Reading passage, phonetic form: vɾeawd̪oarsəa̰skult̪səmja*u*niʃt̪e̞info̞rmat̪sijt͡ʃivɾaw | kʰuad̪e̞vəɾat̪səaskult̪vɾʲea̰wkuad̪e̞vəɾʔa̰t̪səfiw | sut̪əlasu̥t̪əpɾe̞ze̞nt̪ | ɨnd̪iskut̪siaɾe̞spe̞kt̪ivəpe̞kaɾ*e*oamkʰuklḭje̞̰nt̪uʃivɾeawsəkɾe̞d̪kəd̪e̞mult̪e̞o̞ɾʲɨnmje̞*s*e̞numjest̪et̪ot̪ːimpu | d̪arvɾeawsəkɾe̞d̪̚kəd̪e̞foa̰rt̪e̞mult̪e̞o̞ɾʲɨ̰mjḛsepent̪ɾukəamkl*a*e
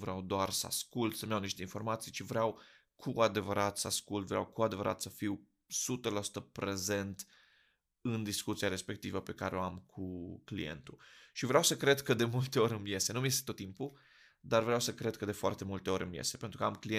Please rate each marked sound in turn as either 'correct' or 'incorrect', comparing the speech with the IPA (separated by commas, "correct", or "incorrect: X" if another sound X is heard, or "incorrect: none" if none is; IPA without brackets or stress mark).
incorrect: w, correct, correct, incorrect: i